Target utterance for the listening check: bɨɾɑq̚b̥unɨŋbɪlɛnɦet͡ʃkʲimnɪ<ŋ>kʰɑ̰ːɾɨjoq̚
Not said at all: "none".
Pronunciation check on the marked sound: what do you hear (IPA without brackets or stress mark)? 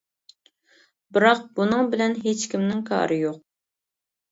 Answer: ŋ